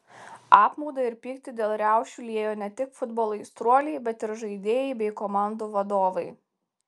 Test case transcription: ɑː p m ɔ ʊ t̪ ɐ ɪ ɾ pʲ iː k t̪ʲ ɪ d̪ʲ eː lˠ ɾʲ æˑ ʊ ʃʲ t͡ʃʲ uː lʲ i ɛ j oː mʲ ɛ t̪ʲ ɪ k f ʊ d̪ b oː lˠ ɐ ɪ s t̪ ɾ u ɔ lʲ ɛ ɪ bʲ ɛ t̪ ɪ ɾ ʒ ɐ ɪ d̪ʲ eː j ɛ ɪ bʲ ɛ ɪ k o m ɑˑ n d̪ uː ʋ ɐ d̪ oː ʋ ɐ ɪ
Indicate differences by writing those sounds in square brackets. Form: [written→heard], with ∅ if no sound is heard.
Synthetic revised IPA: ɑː p m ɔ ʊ [t̪→d̪] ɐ ɪ ɾ pʲ iː k t̪ʲ ɪ d̪ʲ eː lˠ ɾʲ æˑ ʊ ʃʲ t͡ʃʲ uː lʲ i ɛ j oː [mʲ→nʲ] ɛ t̪ʲ ɪ k f ʊ d̪ b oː lˠ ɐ ɪ s t̪ ɾ u ɔ lʲ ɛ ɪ bʲ ɛ t̪ ɪ ɾ ʒ ɐ ɪ d̪ʲ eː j ɛ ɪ bʲ ɛ ɪ k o m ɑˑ n d̪ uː ʋ ɐ d̪ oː ʋ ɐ ɪ